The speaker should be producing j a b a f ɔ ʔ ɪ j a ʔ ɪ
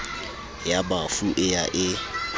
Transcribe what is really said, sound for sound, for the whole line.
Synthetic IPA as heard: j a b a f u ʔ ɪ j a ʔ ɪ